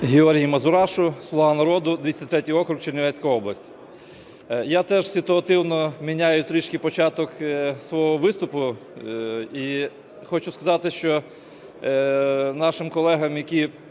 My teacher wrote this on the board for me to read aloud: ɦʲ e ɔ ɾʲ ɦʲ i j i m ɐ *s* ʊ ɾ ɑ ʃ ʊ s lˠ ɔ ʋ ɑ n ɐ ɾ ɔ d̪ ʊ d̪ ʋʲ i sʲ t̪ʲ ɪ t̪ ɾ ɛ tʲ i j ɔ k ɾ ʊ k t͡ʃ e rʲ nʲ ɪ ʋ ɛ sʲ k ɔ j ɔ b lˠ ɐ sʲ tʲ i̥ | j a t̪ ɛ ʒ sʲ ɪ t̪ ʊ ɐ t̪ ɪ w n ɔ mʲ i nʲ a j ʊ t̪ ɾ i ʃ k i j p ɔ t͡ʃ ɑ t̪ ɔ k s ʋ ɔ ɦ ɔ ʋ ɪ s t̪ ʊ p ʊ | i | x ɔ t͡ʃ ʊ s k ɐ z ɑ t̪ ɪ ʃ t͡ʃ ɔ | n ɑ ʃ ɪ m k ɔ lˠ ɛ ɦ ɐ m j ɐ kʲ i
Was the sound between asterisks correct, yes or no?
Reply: no